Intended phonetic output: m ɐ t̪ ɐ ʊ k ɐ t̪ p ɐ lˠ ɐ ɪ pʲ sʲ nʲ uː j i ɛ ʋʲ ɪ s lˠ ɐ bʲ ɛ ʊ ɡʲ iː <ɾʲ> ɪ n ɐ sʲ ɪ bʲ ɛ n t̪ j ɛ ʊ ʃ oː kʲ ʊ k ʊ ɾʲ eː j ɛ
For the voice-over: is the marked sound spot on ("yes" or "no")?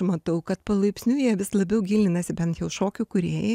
no